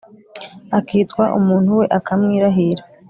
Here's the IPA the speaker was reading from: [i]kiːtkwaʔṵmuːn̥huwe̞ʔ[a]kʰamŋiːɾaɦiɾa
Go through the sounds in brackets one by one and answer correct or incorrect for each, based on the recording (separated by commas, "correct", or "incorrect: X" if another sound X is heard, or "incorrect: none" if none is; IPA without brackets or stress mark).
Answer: incorrect: a, correct